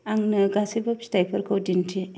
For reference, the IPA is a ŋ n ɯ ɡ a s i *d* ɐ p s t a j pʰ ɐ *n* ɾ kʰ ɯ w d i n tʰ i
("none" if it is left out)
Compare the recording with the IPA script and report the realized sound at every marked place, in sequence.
b, none

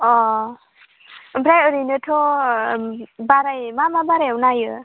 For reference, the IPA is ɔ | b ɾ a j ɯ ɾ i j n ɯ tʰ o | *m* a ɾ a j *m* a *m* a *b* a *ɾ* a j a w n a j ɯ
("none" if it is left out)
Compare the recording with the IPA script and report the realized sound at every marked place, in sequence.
b, m, m, b, ɾ

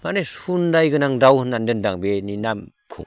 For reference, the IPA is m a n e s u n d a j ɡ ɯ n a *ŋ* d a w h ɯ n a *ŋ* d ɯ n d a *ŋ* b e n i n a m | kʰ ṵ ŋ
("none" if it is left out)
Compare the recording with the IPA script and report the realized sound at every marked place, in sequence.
ŋ, n, ŋ

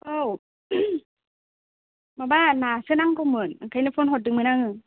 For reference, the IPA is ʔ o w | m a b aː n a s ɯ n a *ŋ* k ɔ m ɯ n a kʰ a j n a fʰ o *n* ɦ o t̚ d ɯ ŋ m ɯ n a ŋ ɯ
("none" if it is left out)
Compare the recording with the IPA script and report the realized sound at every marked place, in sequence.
ŋ, n

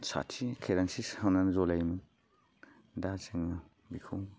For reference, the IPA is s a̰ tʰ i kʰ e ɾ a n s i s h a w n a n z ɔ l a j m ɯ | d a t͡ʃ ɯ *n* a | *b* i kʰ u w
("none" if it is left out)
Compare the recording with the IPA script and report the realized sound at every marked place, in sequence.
ŋ, b

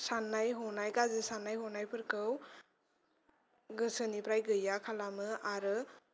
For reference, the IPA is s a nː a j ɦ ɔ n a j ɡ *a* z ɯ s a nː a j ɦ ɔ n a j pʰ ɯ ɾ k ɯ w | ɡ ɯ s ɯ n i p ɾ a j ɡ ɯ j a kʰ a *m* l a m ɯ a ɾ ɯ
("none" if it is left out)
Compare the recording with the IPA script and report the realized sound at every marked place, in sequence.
a, none

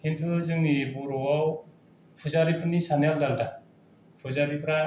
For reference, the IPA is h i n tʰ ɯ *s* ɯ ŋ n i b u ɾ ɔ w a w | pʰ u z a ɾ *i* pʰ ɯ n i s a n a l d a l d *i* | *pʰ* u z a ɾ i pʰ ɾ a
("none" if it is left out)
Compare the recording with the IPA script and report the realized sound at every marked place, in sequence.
z, i, a, pʰ

